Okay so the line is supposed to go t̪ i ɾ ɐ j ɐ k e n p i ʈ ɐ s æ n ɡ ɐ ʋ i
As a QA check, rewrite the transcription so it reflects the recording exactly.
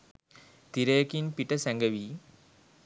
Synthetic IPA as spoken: t̪ i ɾ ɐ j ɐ k i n p i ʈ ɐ s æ ŋ ɡ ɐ ʋ i

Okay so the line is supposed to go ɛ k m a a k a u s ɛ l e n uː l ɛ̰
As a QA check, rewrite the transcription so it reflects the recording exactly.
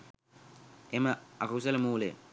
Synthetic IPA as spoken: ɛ m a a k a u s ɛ l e m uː l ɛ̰

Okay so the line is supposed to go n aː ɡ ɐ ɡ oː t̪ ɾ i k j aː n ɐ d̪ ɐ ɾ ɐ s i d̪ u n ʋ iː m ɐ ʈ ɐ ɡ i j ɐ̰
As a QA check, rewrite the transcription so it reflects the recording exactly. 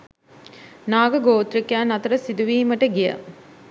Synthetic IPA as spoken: n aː ɡ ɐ ɡ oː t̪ ɾ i k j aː n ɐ t̪ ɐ ɾ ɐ s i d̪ u ʋ iː m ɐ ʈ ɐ ɡ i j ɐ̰

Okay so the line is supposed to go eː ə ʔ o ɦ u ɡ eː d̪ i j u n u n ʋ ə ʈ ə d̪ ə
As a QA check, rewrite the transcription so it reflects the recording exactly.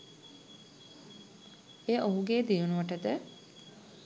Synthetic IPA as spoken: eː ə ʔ o ɦ u ɡ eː d̪ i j u n u ʋ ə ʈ ə d̪ ə

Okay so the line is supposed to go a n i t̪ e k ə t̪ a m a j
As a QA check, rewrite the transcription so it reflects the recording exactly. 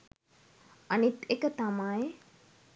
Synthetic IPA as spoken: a n i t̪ e k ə t̪ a m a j

